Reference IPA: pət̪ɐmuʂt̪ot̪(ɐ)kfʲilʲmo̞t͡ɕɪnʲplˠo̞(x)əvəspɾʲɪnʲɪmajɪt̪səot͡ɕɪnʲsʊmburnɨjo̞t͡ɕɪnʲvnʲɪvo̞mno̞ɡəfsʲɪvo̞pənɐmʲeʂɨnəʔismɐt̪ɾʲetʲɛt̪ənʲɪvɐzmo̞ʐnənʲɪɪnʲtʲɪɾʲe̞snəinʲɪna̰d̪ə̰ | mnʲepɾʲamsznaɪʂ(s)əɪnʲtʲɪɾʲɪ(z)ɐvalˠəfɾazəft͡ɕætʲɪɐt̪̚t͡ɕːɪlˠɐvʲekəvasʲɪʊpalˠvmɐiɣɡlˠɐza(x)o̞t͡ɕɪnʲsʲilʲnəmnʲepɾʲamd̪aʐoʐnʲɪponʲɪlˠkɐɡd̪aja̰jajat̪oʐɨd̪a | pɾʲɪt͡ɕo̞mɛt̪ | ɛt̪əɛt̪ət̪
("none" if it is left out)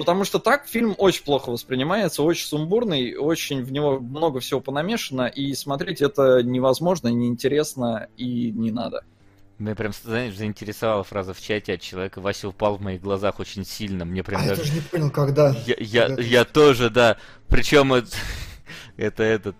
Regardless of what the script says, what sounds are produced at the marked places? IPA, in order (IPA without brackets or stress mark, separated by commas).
a, x, z, s, x